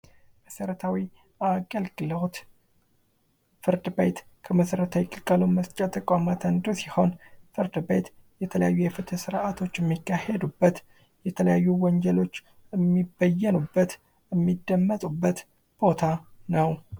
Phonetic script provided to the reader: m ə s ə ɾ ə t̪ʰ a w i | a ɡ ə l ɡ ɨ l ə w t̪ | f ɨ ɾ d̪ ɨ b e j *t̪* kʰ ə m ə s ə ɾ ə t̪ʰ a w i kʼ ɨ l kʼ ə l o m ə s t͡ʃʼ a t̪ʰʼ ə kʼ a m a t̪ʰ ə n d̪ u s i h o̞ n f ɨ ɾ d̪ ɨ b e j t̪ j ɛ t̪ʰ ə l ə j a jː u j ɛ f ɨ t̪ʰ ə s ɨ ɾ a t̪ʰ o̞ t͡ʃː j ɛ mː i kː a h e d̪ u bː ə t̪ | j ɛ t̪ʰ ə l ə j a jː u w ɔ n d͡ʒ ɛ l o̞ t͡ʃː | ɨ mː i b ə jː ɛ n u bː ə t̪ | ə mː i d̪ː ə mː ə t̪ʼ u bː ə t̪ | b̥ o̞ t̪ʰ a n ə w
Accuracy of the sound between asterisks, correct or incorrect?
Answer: correct